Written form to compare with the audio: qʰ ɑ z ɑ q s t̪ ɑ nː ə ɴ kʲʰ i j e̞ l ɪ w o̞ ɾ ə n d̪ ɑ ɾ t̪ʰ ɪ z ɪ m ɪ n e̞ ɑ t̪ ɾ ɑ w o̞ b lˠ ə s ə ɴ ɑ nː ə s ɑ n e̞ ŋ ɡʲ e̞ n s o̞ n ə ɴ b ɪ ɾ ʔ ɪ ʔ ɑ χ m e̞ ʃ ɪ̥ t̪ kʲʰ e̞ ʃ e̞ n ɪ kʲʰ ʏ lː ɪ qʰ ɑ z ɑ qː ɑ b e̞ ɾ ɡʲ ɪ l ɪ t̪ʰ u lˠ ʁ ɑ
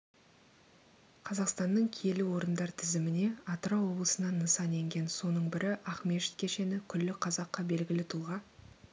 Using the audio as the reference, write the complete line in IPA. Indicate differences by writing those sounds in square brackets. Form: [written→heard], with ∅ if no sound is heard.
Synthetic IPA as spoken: qʰ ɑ z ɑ q s t̪ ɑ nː ə ɴ kʲʰ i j e̞ l ɪ w o̞ ɾ ə n d̪ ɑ ɾ t̪ʰ ɪ z ɪ m ɪ n e̞ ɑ t̪ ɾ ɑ w o̞ b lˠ ə s ə [ɴ→n] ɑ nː ə s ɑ n e̞ ŋ ɡʲ e̞ n s o̞ n ə ɴ b ɪ ɾ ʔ ɪ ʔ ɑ χ m e̞ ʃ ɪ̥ t̪ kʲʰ e̞ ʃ e̞ n ɪ kʲʰ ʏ lː ɪ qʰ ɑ z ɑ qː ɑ b e̞ [ɾ→l] ɡʲ ɪ l ɪ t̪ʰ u lˠ ʁ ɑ